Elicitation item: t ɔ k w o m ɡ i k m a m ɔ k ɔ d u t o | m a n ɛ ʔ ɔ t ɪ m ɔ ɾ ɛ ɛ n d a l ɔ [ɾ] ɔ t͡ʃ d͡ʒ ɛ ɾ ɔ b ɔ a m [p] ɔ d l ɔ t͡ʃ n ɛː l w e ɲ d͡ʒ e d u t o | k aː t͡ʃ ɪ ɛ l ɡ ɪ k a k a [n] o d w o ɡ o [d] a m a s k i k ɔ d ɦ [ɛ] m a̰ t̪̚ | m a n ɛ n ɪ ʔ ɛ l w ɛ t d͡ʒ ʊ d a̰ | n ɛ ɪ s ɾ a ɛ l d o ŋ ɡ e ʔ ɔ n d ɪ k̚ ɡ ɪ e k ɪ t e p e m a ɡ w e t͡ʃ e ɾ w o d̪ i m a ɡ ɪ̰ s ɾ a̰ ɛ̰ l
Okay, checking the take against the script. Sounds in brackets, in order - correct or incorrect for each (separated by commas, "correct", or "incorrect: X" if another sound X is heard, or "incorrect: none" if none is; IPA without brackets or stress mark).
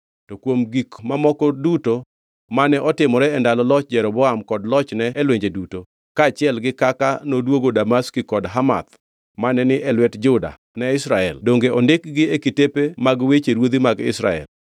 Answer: incorrect: l, incorrect: k, correct, correct, incorrect: a